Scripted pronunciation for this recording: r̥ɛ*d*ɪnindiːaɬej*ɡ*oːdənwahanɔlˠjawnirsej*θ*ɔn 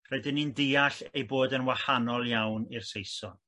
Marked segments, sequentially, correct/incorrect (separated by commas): correct, incorrect, incorrect